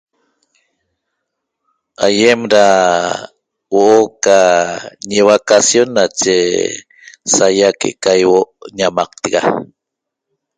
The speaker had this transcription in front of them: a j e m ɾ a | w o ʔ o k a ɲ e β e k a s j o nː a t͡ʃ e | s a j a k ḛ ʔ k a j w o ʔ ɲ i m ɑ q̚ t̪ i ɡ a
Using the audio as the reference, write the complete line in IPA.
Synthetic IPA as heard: a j e m ɾ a | w o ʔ o k a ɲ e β a k a s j o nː a t͡ʃ e | s a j a k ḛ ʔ k a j w o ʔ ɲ a m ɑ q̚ t̪ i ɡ a